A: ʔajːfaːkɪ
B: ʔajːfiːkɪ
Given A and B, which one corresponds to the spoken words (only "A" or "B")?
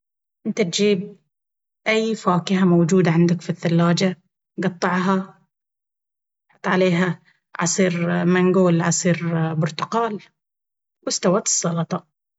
A